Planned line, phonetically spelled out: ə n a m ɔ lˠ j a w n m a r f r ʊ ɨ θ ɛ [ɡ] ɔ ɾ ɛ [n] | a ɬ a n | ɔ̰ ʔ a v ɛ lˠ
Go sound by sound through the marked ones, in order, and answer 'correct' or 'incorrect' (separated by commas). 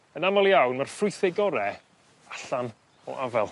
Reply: correct, incorrect